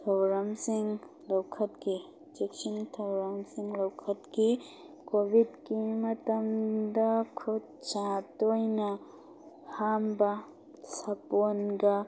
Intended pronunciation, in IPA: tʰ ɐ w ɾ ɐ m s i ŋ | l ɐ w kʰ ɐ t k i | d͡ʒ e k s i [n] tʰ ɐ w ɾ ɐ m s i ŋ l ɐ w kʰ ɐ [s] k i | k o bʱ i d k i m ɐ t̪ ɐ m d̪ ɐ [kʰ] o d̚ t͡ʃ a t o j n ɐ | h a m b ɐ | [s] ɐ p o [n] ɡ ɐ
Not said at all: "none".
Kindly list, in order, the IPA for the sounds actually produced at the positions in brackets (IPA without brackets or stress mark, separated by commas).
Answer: n, t, kʰ, s, n